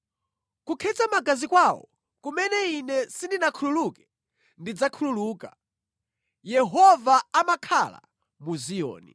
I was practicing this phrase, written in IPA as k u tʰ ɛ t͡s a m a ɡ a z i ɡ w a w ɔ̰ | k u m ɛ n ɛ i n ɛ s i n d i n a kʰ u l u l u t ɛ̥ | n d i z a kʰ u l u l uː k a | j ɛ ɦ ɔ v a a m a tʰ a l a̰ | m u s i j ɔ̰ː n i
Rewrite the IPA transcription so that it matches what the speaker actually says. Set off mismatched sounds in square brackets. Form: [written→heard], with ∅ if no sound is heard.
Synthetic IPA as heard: k u [tʰ→kʰ] ɛ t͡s a m a ɡ a z i [ɡ→k] w a w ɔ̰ | k u m ɛ n ɛ i n ɛ s i n d i n a kʰ u l u l u [t→k] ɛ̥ | n d i [z→d͡z] a kʰ u l u l uː k a | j ɛ ɦ ɔ v a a m a [tʰ→kʰ] a l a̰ | m u [s→z] i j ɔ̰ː n i